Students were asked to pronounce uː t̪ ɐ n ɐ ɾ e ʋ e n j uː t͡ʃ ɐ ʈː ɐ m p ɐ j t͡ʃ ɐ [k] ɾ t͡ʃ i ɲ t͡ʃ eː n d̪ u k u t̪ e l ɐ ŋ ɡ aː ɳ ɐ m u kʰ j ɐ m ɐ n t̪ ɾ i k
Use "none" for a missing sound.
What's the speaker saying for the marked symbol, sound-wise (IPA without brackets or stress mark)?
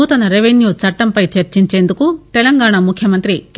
none